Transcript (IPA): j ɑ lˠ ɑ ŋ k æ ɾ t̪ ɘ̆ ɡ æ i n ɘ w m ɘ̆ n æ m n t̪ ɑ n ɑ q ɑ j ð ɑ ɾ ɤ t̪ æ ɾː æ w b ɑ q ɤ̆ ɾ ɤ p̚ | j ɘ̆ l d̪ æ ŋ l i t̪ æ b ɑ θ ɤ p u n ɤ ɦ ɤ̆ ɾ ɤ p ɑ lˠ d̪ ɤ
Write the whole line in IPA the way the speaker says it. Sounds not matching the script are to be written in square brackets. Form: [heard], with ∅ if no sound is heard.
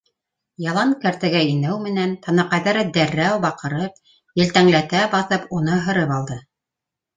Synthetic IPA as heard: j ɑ lˠ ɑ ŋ k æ ɾ t̪ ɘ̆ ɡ æ i n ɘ w m ɘ̆ n æ [∅] n t̪ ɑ n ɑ q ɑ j ð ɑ ɾ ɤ [d̪] æ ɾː æ w b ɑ q ɤ̆ ɾ ɤ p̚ | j ɘ̆ l [t̪] æ ŋ l [æ] t̪ æ b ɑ θ ɤ p u n ɤ ɦ ɤ̆ ɾ ɤ p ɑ lˠ d̪ ɤ